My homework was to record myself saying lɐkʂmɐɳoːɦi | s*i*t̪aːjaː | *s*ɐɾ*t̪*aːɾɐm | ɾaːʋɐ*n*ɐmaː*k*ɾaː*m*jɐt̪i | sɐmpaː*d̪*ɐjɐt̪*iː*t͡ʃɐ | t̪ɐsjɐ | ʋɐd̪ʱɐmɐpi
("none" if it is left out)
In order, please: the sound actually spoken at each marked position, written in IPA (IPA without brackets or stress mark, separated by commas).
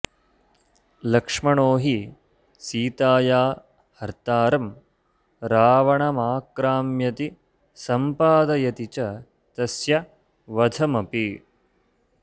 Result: iː, h, t̪, ɳ, k, m, d̪, i